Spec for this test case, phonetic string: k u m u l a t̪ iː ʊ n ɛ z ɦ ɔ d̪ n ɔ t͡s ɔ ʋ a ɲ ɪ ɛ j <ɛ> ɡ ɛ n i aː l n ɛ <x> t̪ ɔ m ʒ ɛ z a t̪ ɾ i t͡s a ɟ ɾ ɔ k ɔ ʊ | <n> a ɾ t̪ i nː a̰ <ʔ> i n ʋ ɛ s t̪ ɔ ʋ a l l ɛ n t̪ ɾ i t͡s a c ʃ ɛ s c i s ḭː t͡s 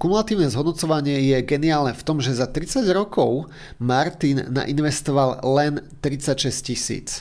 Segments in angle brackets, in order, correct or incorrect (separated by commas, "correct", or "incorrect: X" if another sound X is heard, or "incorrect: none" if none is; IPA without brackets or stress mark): correct, incorrect: f, incorrect: m, correct